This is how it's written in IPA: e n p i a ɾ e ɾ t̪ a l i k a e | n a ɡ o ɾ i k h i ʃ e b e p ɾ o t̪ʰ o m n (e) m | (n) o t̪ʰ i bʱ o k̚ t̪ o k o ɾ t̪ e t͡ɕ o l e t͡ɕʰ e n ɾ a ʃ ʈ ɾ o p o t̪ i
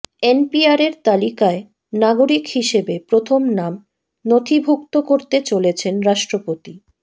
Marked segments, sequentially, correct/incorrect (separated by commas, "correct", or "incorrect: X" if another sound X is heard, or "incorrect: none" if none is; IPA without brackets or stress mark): incorrect: a, correct